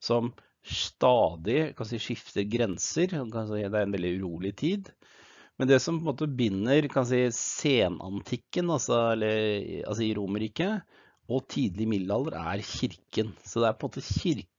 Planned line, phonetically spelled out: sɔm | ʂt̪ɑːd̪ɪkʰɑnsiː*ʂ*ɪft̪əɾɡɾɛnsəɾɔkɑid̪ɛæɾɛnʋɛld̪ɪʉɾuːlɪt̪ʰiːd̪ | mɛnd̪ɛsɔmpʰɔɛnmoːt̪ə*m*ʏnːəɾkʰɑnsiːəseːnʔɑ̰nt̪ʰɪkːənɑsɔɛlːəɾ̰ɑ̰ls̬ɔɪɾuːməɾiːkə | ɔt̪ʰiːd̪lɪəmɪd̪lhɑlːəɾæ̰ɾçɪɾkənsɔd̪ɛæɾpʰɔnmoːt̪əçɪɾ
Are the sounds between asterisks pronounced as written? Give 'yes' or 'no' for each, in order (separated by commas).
yes, no